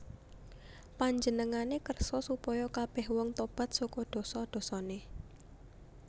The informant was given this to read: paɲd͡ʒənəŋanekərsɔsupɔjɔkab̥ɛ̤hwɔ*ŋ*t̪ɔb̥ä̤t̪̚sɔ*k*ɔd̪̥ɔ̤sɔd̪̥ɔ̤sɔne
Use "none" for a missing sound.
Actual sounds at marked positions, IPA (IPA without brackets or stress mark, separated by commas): ŋ, k